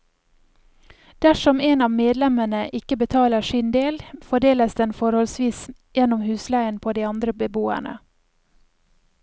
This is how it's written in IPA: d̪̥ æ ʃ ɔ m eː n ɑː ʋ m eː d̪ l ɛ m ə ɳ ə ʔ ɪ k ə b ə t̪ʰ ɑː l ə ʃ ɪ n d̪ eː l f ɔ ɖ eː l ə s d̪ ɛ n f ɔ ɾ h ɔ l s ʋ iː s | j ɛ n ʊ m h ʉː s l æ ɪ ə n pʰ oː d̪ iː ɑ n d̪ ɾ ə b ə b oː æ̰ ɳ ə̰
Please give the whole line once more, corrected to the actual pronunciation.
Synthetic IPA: d̪̥ æ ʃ ɔ m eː n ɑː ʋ m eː d̪ l ɛ m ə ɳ ə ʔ ɪ k ə b ə t̪ʰ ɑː l ə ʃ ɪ n d̪ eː l f ɔ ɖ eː l ə s d̪ ɛ n f ɔ ɾ h ɔ l s ʋ iː s | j ɛ n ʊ m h ʉː s l æ ɪ ə n pʰ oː d̪ iː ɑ n d̪ ɾ ə b ə b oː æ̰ ɳ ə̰